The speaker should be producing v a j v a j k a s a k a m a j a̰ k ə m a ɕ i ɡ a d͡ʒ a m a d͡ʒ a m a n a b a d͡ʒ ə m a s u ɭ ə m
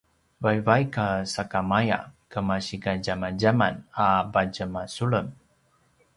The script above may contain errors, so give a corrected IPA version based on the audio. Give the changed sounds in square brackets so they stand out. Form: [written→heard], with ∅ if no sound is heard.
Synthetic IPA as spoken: v a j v a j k a s a k a m a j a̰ k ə m a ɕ i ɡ a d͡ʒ a m a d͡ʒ a m a n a b a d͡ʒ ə m a s u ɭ ə m